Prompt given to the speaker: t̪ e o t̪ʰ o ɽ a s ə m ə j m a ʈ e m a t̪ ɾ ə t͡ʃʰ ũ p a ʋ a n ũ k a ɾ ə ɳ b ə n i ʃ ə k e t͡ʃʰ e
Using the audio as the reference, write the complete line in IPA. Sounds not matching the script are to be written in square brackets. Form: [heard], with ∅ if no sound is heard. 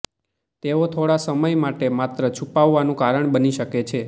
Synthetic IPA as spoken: t̪ e o t̪ʰ o ɽ a s ə m ə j m a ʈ e m a t̪ ɾ ə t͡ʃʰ [u] p a [ʋː] a n ũ k a ɾ ə ɳ b ə n i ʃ ə k e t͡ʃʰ e